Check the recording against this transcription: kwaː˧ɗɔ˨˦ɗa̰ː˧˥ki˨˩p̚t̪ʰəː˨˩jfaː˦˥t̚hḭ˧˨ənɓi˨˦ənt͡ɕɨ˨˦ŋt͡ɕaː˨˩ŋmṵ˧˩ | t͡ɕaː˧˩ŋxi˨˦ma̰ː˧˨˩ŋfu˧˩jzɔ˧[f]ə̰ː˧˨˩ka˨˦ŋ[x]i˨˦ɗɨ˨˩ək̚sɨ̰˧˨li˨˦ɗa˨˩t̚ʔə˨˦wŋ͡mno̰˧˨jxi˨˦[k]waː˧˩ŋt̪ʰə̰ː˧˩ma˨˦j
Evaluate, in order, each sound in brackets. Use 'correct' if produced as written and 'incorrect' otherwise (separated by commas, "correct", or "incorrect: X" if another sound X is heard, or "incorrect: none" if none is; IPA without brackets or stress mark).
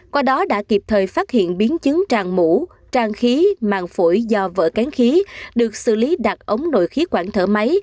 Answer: incorrect: v, correct, correct